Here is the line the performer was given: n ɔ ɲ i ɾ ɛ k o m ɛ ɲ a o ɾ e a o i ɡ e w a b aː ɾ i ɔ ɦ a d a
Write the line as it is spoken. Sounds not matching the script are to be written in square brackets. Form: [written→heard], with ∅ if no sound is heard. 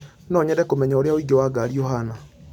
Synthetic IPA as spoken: n ɔ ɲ [i→ɛ] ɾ ɛ k o m ɛ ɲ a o ɾ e a o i ɡ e w a [b→ɡ] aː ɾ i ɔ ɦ a [d→n] a